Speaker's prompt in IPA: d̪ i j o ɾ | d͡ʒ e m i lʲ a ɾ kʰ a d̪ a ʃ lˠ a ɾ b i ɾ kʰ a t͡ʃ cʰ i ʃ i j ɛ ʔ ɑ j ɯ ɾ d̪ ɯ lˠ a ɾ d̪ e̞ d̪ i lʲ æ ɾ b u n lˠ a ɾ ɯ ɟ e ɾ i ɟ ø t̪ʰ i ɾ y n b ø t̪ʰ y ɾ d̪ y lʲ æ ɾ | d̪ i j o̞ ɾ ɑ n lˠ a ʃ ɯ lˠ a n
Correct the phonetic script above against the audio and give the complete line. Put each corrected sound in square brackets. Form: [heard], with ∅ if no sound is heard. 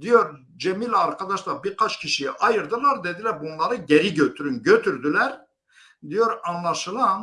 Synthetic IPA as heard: d̪ i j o ɾ | d͡ʒ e m i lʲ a ɾ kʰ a d̪ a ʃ lˠ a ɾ b i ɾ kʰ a t͡ʃ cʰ i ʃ i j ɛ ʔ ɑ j ɯ ɾ d̪ ɯ lˠ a ɾ d̪ e̞ d̪ i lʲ æ ɾ b u n lˠ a ɾ ɯ ɟ e ɾ i ɟ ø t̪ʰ [y] ɾ y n [ɟ] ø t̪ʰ y ɾ d̪ y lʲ æ ɾ | d̪ i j o̞ ɾ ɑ n lˠ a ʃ ɯ lˠ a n